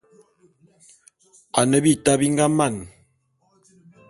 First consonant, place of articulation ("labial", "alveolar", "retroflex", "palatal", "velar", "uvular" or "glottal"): alveolar